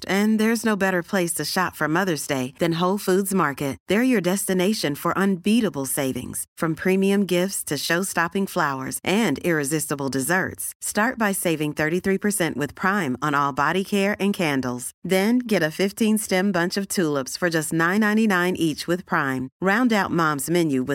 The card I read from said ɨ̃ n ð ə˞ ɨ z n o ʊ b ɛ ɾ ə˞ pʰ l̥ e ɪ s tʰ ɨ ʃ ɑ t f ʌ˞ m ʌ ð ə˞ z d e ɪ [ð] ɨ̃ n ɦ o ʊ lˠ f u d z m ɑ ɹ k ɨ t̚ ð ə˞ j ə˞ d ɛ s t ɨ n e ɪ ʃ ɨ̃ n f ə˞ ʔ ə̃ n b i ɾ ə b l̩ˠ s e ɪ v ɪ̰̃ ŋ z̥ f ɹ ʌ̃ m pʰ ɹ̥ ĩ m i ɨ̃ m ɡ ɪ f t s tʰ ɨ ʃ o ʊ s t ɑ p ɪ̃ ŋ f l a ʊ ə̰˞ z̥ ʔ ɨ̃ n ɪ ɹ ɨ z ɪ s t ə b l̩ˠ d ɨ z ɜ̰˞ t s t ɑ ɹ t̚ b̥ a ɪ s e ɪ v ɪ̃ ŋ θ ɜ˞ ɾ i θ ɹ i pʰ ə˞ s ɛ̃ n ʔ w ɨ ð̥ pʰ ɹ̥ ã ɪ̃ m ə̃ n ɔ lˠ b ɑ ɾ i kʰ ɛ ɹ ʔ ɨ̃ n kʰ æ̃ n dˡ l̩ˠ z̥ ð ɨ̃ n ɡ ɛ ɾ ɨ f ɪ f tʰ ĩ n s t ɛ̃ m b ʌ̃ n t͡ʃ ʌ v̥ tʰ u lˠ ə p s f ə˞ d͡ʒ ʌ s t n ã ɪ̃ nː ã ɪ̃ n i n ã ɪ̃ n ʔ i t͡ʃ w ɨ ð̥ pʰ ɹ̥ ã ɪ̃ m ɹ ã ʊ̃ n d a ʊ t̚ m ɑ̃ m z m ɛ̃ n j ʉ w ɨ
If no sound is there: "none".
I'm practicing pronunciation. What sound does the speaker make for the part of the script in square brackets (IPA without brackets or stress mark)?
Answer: ð